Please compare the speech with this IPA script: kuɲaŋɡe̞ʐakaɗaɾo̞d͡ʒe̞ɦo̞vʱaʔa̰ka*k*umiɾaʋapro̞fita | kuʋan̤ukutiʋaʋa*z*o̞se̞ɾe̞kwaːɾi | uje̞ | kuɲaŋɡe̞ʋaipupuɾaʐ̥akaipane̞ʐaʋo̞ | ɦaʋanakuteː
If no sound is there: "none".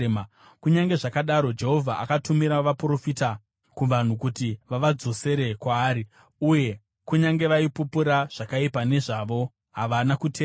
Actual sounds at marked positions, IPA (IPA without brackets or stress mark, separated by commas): t, d͡z